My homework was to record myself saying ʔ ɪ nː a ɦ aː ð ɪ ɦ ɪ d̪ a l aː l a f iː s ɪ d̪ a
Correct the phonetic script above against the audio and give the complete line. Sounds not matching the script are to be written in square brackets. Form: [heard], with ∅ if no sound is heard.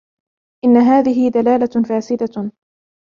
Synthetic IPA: ʔ ɪ nː a ɦ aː ð ɪ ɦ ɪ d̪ a l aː l a f [aː] s ɪ d̪ a

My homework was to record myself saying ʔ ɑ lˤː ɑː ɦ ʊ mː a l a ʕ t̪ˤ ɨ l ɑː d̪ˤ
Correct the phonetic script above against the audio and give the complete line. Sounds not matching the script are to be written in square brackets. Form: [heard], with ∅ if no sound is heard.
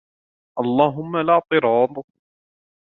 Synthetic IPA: ʔ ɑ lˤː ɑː ɦ ʊ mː a l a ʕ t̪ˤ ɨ [ɾ] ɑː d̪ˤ

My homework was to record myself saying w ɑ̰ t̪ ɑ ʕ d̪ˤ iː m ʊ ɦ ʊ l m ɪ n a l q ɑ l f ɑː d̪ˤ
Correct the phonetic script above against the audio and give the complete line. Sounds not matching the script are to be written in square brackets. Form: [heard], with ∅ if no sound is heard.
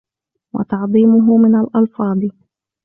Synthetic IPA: w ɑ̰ t̪ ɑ ʕ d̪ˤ iː m ʊ ɦ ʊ [∅] m ɪ n a l [ʔ] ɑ l f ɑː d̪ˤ

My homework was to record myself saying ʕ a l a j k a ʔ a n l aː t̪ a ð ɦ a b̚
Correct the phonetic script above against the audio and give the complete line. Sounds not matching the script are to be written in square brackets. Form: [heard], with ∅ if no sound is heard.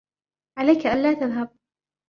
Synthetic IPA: ʕ a l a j k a ʔ a n l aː t̪ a ð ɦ a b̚

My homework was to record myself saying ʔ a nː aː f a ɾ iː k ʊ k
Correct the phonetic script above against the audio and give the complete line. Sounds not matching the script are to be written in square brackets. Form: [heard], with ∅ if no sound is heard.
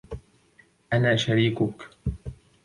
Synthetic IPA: ʔ a [n] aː [ʃ] a ɾ iː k ʊ k

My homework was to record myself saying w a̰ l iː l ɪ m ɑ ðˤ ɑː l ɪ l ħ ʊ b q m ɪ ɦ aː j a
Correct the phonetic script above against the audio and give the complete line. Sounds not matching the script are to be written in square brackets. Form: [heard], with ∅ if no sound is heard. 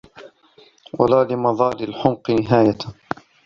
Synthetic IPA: w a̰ l [aː] l ɪ m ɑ ðˤ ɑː l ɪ l ħ ʊ [m] q [n] ɪ ɦ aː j a

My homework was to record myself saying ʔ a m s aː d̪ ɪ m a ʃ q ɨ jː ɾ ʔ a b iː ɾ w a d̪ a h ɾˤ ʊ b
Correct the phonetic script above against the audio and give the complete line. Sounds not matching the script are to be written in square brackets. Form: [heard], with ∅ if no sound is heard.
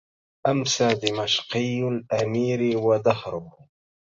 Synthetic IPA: ʔ a m s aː d̪ ɪ m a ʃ q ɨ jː [l] ʔ a [m] iː ɾ w a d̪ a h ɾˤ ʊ b

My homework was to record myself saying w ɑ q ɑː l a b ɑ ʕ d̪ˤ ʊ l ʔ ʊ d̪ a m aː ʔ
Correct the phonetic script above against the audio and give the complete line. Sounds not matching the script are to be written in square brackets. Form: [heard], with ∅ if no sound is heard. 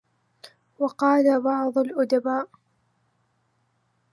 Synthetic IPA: w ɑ q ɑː l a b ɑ ʕ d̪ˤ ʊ l ʔ ʊ d̪ a [b] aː ʔ

